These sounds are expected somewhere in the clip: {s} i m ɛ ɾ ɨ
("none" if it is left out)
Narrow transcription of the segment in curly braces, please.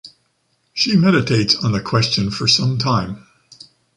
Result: ʃ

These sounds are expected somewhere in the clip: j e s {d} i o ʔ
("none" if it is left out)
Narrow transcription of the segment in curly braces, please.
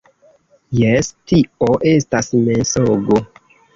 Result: t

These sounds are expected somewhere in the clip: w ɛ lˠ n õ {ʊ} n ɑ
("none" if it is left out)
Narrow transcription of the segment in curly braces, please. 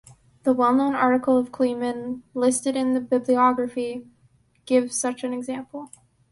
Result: ʊ̃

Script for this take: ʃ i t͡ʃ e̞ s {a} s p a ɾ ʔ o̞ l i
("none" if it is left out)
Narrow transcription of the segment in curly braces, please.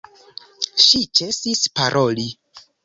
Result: i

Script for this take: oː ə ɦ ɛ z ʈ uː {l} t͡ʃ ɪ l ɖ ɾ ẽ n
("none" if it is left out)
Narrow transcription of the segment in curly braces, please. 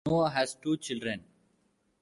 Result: none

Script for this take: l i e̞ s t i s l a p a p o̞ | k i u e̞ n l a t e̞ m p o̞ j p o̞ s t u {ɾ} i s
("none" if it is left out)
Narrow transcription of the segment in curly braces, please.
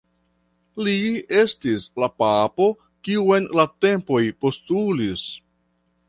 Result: l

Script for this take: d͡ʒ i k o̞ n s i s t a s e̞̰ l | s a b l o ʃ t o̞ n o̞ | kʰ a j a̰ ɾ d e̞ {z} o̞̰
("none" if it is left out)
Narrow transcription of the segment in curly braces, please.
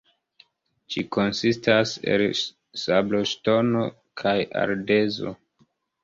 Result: z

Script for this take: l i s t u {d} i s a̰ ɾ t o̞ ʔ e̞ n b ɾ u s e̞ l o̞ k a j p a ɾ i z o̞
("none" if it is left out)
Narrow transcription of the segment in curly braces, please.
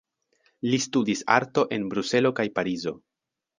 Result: d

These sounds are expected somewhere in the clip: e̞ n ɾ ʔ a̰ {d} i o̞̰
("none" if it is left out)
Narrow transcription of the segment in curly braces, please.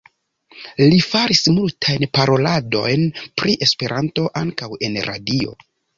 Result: d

